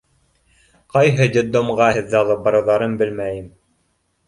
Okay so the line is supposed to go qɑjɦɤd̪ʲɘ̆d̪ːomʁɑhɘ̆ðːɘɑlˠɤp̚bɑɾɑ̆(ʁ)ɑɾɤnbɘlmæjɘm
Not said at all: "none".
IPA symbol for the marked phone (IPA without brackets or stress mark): ð